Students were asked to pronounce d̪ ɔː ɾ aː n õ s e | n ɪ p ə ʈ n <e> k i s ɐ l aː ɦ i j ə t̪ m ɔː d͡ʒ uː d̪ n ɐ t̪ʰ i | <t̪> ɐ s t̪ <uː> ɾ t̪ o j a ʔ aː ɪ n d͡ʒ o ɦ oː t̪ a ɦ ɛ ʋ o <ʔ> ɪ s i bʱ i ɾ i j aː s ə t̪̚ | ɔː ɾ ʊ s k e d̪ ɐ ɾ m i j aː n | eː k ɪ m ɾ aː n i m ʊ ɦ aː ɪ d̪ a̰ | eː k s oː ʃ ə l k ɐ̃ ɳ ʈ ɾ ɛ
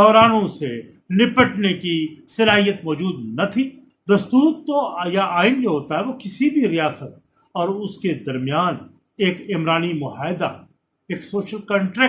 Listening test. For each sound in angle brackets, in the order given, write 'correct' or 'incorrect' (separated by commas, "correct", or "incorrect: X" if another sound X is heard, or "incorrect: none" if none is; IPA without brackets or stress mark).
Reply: correct, incorrect: d̪, correct, incorrect: k